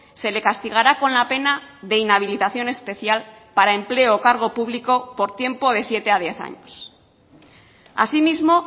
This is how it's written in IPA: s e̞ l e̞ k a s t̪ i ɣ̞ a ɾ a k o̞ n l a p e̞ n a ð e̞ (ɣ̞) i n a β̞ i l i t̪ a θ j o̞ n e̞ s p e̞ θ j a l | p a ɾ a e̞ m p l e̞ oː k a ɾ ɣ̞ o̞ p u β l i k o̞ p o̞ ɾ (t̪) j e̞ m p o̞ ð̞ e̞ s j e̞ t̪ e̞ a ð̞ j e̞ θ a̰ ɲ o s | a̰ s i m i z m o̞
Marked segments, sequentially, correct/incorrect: incorrect, correct

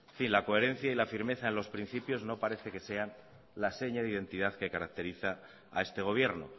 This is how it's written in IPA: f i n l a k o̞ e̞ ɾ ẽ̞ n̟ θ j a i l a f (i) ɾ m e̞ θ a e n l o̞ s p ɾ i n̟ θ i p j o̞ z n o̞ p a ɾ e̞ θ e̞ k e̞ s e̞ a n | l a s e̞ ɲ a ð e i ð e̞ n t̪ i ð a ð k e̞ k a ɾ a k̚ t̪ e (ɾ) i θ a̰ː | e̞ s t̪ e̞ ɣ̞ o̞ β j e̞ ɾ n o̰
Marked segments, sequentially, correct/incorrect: correct, correct

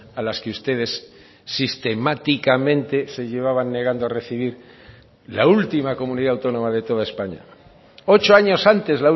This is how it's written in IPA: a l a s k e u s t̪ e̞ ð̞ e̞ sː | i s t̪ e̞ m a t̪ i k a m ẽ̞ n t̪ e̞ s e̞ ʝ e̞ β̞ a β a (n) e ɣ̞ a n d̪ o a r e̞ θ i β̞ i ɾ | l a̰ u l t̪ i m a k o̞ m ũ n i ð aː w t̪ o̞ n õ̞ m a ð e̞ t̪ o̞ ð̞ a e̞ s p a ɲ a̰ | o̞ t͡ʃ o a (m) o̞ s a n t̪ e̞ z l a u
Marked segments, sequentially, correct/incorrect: incorrect, incorrect

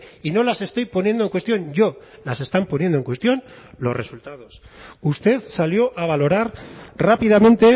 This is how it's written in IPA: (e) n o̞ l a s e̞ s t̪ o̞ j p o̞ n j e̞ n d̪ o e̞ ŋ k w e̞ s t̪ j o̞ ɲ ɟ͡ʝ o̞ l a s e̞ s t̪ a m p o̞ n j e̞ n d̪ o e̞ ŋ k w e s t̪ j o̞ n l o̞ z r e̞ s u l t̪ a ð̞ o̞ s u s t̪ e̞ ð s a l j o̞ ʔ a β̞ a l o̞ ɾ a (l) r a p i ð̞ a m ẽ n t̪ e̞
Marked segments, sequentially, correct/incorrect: incorrect, incorrect

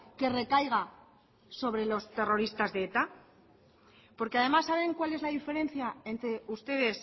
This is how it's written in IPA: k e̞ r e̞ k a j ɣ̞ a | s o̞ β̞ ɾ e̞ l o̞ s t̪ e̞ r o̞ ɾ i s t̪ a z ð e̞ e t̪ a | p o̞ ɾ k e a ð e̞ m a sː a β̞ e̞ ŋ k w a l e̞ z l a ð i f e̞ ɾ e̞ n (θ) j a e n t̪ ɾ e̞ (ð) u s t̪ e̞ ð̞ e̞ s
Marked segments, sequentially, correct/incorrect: correct, incorrect

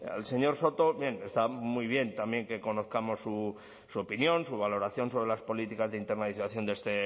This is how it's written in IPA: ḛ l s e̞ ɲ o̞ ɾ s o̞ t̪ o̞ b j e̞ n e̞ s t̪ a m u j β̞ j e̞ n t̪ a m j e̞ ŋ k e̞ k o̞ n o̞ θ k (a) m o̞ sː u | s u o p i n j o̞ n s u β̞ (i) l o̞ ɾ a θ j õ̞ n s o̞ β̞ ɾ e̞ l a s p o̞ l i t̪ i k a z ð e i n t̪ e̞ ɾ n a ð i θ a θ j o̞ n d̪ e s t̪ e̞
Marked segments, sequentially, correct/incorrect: correct, incorrect

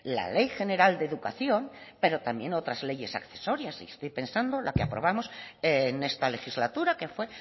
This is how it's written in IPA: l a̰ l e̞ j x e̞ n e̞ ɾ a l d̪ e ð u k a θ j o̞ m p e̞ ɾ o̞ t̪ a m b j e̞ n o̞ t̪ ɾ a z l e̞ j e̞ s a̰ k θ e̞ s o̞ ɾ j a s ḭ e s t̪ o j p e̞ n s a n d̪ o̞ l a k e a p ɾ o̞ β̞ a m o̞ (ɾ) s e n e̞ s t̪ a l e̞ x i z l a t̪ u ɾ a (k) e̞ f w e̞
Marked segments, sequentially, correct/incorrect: incorrect, correct

